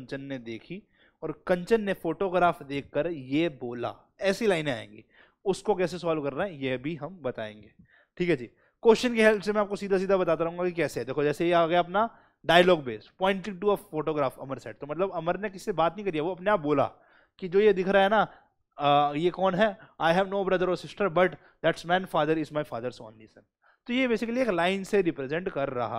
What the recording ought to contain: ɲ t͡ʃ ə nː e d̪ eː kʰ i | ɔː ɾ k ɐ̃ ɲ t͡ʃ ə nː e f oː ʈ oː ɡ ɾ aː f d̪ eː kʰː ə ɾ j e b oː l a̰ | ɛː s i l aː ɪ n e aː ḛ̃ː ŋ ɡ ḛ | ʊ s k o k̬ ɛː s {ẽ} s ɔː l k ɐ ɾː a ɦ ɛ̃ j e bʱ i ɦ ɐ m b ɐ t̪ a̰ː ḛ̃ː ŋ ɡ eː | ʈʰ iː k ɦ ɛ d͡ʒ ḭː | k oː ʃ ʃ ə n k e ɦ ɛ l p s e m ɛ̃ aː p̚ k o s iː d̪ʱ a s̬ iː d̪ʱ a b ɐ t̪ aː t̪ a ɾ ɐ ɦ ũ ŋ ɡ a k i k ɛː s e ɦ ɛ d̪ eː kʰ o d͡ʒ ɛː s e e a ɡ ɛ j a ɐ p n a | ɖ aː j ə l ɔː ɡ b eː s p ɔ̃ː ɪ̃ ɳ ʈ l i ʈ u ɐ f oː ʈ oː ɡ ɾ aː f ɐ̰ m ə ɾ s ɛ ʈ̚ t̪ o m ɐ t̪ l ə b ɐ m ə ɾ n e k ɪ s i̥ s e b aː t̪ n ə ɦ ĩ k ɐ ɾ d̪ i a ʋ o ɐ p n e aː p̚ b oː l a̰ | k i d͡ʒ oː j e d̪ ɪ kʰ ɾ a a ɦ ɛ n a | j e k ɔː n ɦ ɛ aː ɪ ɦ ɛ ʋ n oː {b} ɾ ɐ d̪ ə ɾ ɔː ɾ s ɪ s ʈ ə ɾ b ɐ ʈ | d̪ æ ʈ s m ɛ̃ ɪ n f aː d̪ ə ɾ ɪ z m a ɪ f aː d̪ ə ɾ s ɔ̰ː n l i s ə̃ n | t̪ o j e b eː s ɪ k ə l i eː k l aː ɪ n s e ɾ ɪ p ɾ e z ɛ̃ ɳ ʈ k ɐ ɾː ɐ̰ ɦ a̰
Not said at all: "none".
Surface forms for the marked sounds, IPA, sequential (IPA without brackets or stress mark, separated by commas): e, b